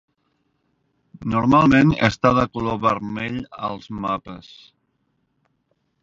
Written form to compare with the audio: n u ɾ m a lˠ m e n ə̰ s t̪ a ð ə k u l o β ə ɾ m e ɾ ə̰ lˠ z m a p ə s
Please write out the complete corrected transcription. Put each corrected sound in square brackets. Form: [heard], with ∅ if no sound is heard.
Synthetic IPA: n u ɾ m a lˠ m e n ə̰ s t̪ a ð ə k u l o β ə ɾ m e [ʎ] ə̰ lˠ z m a p ə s